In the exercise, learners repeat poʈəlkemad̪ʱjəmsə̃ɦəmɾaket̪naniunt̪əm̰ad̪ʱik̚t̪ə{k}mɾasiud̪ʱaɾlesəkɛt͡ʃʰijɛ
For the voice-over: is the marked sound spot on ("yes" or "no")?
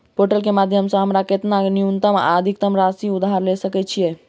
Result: no